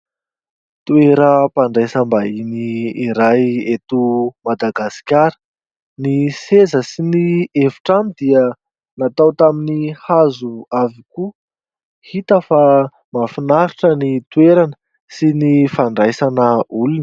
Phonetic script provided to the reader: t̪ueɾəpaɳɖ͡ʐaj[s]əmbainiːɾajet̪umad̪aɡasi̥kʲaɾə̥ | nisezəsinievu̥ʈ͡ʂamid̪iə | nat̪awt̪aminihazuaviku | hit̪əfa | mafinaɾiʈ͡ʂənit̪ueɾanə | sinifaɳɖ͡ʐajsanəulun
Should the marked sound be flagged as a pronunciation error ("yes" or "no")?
no